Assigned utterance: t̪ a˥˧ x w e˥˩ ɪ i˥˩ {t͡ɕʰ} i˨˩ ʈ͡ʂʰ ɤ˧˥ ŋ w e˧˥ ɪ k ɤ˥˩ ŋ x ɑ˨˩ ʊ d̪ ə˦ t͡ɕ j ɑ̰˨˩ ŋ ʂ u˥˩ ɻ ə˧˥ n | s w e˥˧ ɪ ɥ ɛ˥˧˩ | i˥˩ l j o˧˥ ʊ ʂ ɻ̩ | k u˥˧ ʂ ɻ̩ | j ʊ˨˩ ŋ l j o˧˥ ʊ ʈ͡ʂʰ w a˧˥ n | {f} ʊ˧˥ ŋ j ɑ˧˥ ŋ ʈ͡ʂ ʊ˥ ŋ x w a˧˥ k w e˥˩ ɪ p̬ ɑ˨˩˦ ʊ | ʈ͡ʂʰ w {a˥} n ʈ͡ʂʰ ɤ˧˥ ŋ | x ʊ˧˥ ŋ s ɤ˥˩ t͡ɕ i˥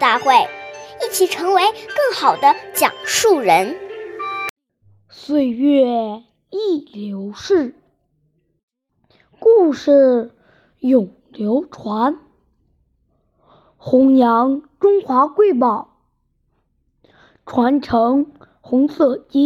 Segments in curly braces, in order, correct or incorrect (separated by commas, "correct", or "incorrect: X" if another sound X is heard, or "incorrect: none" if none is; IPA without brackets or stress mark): correct, incorrect: x, incorrect: a˧˥